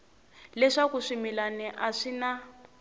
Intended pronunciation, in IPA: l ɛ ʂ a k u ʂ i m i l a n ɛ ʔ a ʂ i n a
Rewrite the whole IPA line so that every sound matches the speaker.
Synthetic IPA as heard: l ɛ ʂ a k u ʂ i m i l a n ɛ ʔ a ʂ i n a

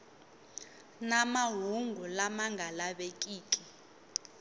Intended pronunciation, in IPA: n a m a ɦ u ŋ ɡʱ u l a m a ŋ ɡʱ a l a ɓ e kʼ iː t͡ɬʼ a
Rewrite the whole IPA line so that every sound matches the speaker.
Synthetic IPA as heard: n a m a ɦ u ŋ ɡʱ u l a m a ŋ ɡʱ a l a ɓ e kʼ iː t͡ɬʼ i

